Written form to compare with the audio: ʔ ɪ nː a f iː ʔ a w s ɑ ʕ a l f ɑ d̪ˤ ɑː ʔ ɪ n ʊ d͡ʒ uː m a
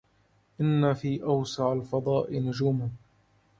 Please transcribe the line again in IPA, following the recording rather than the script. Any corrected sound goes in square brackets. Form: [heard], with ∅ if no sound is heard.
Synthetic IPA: ʔ ɪ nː a f iː ʔ a w s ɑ ʕ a l f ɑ d̪ˤ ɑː ʔ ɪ n ʊ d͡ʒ uː m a